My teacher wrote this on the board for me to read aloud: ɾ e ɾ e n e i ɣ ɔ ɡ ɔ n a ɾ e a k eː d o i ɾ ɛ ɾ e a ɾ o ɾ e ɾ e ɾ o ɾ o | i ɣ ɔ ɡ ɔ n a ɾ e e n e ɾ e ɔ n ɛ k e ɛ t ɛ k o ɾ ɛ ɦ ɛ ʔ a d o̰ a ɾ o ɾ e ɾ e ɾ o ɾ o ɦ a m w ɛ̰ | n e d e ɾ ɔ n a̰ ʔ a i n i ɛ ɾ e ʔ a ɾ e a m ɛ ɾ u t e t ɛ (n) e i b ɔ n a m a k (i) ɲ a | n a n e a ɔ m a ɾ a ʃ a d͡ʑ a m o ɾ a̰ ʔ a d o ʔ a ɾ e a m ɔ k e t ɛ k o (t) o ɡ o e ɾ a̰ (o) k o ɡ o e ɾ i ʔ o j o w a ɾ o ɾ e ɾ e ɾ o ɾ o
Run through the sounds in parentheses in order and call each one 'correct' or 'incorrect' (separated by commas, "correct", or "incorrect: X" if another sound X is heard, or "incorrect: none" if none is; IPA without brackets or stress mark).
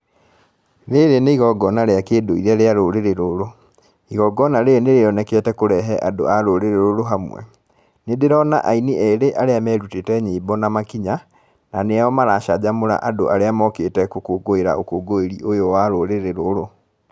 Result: incorrect: ɲ, correct, incorrect: k, correct